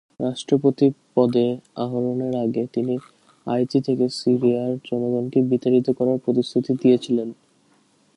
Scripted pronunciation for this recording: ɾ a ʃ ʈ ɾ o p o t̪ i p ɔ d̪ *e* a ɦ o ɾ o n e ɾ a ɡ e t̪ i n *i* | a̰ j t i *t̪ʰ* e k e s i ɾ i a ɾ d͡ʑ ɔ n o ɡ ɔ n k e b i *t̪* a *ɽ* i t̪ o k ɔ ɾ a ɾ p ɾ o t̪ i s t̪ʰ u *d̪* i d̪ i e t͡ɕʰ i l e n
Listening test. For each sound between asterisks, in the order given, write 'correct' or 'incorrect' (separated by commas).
correct, correct, correct, correct, incorrect, incorrect